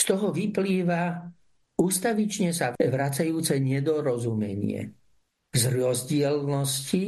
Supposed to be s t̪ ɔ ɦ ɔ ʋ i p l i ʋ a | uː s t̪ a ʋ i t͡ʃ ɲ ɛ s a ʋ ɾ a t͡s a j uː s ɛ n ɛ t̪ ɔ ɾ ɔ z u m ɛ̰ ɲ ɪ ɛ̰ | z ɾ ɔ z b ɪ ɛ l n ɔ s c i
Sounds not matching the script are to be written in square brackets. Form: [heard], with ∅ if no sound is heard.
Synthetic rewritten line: s t̪ ɔ ɦ ɔ ʋ i p l [iː] ʋ a | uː s t̪ a ʋ i t͡ʃ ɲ ɛ s a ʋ ɾ a t͡s a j uː [t͡s] ɛ [ɲ] ɛ [d̪] ɔ ɾ ɔ z u m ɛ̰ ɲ ɪ ɛ̰ | z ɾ ɔ z [ɟ] ɪ ɛ l n ɔ s c i